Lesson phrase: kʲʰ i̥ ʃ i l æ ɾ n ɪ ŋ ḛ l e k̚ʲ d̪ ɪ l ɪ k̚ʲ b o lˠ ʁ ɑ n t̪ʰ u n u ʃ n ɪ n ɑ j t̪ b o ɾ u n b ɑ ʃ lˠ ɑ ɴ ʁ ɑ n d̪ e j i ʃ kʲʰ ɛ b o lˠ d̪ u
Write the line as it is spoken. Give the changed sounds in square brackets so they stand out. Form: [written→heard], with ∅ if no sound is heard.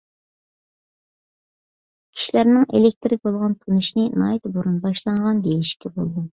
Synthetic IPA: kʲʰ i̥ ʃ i l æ ɾ n ɪ ŋ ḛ l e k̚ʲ [d̪→t̪] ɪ [l→ɾ] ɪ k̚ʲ b o lˠ ʁ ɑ n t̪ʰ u n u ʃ n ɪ n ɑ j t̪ b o ɾ u n b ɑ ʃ lˠ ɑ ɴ ʁ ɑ n d̪ e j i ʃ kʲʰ ɛ b o lˠ d̪ u